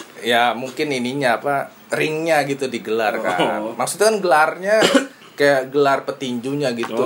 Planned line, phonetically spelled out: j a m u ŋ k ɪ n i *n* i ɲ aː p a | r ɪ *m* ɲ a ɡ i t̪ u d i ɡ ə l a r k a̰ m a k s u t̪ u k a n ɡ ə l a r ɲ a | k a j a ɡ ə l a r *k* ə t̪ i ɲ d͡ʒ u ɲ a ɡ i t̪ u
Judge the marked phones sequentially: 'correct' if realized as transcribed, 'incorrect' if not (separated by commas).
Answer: correct, incorrect, incorrect